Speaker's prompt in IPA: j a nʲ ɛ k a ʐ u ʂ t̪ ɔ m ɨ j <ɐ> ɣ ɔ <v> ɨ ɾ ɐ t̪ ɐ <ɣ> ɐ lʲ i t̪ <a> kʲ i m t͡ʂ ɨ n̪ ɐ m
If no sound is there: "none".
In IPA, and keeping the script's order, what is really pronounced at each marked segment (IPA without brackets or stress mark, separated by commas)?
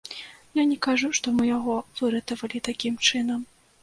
a, v, v, a